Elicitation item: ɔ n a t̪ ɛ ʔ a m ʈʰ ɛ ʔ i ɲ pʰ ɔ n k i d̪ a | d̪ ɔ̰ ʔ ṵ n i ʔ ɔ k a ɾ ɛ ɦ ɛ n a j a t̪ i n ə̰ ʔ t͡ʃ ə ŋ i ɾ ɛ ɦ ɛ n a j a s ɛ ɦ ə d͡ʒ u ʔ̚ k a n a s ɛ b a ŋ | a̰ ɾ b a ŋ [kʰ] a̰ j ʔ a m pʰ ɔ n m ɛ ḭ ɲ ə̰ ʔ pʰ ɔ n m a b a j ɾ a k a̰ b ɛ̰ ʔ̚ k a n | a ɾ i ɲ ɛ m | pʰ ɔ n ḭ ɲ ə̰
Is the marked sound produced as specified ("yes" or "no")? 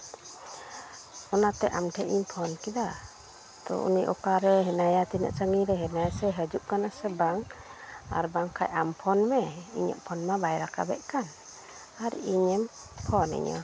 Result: yes